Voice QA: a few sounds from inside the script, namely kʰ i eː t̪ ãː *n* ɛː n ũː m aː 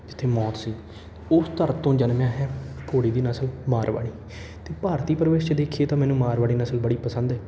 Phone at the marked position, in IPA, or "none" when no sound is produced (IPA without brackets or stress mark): m